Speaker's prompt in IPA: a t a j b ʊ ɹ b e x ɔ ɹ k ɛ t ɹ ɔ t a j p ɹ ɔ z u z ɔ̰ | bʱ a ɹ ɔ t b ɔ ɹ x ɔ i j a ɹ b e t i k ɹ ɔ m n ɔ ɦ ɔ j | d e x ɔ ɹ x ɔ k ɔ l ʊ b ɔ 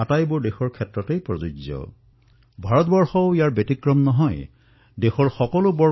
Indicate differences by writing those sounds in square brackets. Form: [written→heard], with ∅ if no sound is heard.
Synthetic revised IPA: a t a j b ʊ ɹ [b→d] e x ɔ ɹ [k→kʰ] ɛ t ɹ ɔ t [a→e] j p ɹ ɔ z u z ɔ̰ | bʱ a ɹ ɔ t b ɔ ɹ x ɔ i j a ɹ b e t i k ɹ ɔ m n ɔ ɦ ɔ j | d e x ɔ ɹ x ɔ k ɔ l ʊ b ɔ